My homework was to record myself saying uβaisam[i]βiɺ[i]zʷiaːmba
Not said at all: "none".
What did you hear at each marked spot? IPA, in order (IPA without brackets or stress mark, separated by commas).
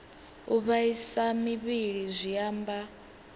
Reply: i, i